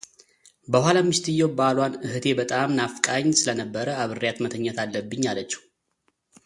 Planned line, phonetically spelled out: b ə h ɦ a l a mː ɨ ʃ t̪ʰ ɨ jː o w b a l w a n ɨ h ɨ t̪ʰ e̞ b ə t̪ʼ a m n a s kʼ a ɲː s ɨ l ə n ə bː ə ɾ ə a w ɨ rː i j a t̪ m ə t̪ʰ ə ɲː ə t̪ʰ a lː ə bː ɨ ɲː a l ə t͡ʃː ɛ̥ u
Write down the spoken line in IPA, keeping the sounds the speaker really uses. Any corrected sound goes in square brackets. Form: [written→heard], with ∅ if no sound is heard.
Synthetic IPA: b ə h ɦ a l a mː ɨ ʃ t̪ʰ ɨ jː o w b a l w a n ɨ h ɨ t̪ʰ e̞ b ə t̪ʼ a m n a [s→f] kʼ a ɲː s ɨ l ə n ə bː ə ɾ ə a [w→β] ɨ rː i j a t̪ m ə t̪ʰ ə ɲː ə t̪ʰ a lː ə bː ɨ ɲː a l ə t͡ʃː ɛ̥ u